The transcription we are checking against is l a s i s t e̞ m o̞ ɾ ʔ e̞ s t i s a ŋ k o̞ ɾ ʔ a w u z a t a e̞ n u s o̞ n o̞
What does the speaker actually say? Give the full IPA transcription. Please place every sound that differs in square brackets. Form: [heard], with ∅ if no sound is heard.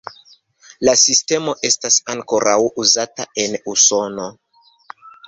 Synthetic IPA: l a s i s t e̞ m o̞ [∅] ʔ e̞ s t [a] s a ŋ k o̞ ɾ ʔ a w u z a t a e̞ n u s o̞ n o̞